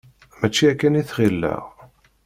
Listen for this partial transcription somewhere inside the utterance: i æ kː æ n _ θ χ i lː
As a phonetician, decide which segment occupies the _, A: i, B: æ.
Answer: A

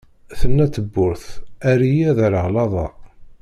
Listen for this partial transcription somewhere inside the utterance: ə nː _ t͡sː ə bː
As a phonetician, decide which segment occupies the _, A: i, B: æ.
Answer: B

